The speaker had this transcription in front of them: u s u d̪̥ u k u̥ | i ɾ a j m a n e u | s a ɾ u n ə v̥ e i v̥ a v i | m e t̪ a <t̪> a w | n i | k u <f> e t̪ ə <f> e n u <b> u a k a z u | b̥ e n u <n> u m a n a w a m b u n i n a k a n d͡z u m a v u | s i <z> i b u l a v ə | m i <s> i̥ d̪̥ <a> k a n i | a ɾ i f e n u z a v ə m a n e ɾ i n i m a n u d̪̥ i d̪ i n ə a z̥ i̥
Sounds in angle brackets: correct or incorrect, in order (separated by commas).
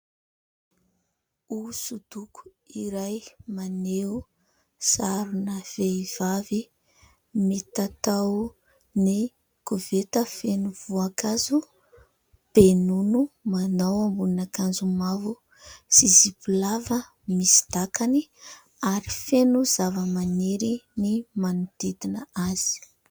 correct, incorrect, correct, incorrect, correct, correct, correct, correct